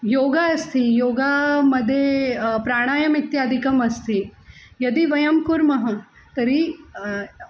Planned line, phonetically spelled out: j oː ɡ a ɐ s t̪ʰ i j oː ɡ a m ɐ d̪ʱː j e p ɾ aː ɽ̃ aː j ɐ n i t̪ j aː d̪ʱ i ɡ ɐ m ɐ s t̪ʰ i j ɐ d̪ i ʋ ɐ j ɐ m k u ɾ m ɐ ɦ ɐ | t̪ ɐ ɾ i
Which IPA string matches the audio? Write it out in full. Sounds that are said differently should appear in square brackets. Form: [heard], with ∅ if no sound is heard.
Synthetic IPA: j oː ɡ a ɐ s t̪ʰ i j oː ɡ a m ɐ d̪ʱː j e p ɾ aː ɽ̃ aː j ɐ [m] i t̪ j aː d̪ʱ i [k] ɐ m ɐ s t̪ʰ i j ɐ d̪ i ʋ ɐ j ɐ m k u ɾ m ɐ ɦ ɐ | t̪ ɐ ɾ i